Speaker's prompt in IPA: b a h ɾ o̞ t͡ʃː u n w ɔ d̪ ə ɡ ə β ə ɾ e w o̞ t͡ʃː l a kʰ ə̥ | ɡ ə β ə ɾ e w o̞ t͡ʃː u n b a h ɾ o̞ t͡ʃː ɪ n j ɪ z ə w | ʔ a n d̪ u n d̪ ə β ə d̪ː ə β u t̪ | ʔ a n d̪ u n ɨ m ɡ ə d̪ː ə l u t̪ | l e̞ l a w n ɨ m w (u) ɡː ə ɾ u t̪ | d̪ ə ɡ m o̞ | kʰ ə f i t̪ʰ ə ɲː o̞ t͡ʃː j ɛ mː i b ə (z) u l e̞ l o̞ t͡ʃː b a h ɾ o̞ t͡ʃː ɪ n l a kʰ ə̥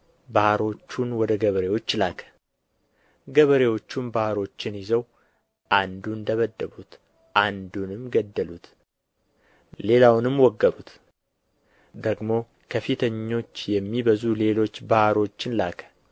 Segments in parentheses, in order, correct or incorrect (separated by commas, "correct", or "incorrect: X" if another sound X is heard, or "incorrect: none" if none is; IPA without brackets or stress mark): incorrect: ɔ, correct